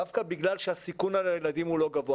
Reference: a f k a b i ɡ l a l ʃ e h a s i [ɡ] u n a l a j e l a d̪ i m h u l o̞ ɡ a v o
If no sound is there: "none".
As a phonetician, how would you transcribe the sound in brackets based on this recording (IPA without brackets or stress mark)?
k